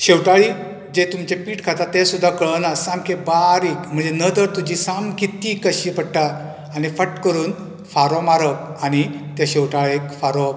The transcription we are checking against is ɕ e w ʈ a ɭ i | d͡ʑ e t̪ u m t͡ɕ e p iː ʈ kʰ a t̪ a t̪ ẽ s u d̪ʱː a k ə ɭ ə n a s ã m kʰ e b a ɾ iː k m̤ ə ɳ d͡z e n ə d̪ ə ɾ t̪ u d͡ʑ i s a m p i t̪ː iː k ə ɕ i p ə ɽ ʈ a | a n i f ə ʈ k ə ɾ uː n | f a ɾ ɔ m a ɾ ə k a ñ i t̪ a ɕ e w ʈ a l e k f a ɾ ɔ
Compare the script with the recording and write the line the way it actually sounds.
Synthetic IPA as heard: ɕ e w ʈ a ɭ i | d͡ʑ e t̪ u m t͡ɕ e p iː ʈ kʰ a t̪ a t̪ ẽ s u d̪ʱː a k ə ɭ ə n a s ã m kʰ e b a ɾ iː k m̤ ə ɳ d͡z e n ə d̪ ə ɾ t̪ u d͡ʑ i s a m k i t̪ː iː k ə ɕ i p ə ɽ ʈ a | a n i f ə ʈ k ə ɾ uː n | f a ɾ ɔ m a ɾ ə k a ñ i t̪ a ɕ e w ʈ a ɭ e k f a ɾ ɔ